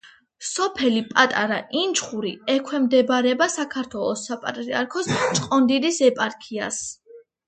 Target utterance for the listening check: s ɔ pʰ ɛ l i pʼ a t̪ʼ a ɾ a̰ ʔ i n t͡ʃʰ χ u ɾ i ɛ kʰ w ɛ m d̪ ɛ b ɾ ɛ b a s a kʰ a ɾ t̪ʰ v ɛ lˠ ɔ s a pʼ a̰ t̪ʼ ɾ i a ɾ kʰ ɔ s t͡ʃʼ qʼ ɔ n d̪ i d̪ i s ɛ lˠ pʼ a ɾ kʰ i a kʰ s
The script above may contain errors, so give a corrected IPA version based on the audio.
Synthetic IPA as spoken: s ɔ pʰ ɛ l i pʼ a t̪ʼ a ɾ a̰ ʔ i n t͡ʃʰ χ u ɾ i ɛ kʰ w ɛ m d̪ ɛ b ɾ ɛ b a s a kʰ a ɾ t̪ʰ w ɛ lˠ ɔ s a pʼ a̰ t̪ʼ ɾ i a ɾ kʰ ɔ s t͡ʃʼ qʼ ɔ n d̪ i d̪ i s ɛ pʼ a ɾ kʰ i a s